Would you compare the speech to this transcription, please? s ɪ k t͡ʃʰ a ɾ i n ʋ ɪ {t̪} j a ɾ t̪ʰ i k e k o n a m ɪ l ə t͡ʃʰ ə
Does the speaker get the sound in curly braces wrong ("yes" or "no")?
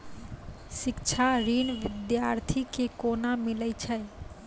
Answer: yes